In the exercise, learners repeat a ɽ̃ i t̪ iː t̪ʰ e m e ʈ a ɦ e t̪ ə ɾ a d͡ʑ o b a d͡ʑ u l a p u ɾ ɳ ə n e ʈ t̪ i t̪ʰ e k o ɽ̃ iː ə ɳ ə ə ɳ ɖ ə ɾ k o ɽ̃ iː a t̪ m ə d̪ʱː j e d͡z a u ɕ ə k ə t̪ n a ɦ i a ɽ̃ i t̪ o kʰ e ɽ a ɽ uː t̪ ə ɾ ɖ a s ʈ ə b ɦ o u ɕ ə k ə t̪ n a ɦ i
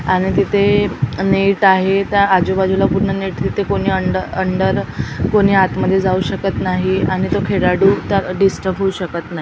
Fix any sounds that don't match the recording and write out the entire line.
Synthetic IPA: a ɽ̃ i t̪ i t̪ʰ e n e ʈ a ɦ e t̪ ə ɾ a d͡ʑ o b a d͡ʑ u l a p u ɾ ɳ ə n e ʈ t̪ i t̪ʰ e k o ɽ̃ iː ə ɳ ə ə ɳ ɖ ə ɾ k o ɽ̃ iː a t̪ m ə d̪ʱː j e d͡z a u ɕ ə k ə t̪ n a ɦ i a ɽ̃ i t̪ o kʰ e ɽ a ɽ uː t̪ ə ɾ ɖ i s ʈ ə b ɦ o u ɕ ə k ə t̪ n a ɦ i